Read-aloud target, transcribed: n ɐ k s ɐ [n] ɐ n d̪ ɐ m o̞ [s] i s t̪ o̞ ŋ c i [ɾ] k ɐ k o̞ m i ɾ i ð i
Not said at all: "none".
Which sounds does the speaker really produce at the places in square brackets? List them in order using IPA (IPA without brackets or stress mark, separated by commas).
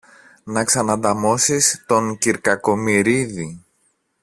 n, s, ɾ